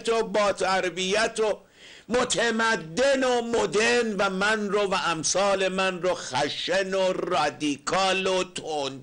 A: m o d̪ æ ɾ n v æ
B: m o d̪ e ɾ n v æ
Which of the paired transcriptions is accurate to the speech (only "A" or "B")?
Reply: B